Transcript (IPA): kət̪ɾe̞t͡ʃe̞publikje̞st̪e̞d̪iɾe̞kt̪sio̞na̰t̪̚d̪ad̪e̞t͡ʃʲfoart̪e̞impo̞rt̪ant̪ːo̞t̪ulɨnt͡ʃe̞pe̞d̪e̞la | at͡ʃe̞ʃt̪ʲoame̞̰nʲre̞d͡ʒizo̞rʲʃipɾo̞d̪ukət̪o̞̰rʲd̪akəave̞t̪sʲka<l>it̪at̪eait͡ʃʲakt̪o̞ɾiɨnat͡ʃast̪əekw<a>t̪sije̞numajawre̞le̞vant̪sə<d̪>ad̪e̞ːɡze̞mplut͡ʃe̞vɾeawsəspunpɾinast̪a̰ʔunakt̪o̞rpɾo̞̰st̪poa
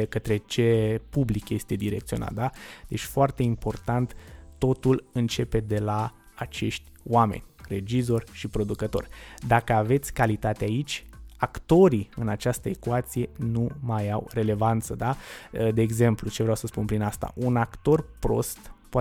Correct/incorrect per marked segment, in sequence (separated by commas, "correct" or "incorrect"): correct, correct, correct